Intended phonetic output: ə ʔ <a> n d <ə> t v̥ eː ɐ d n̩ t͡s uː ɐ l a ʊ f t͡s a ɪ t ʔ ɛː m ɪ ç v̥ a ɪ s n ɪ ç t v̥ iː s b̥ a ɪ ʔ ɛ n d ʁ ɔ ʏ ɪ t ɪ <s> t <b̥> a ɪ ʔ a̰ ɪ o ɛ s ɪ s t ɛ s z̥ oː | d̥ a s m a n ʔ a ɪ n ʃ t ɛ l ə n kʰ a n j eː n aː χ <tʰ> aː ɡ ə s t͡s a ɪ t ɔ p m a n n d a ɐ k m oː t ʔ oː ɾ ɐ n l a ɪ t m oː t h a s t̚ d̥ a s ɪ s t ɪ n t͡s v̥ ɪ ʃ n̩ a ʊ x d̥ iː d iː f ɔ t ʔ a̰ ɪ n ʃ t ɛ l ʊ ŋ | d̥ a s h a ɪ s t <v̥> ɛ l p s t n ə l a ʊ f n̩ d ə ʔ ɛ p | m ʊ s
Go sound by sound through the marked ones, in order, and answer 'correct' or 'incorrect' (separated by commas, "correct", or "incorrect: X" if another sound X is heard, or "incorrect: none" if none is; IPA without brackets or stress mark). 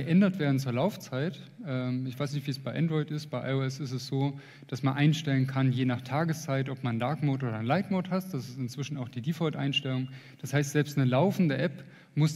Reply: incorrect: ɛ, incorrect: ɐ, correct, correct, correct, incorrect: z̥